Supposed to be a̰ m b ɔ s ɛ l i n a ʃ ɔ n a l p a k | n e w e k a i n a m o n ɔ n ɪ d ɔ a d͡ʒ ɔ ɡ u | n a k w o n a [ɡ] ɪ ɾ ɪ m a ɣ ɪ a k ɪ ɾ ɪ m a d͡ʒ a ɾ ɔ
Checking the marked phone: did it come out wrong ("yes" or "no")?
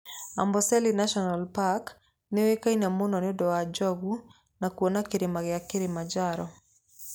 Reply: yes